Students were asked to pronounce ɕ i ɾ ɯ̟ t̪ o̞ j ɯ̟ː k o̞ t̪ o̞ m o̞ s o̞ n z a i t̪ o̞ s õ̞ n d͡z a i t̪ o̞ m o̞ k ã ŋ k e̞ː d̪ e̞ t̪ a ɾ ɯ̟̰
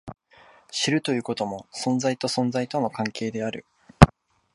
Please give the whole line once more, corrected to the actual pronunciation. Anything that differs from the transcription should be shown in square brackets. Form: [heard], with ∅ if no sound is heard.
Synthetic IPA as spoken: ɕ i ɾ ɯ̟ t̪ o̞ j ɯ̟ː k o̞ t̪ o̞ m o̞ s [õ̞] n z a i t̪ o̞ s õ̞ n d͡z a i t̪ o̞ [n] o̞ k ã ŋ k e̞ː d̪ e̞ [∅] a ɾ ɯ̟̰